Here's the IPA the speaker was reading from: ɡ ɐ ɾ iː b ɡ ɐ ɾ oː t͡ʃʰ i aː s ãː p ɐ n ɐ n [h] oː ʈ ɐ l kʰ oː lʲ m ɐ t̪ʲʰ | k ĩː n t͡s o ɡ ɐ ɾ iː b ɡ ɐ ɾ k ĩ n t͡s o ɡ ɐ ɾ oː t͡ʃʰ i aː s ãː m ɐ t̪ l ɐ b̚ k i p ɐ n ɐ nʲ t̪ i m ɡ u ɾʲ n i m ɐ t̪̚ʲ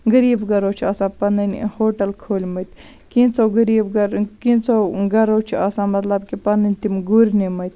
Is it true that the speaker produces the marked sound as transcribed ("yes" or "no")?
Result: yes